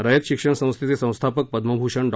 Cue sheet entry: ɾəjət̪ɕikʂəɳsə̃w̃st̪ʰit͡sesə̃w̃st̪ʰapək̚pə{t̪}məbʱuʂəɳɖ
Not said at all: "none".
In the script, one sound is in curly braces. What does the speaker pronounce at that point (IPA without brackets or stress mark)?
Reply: d̪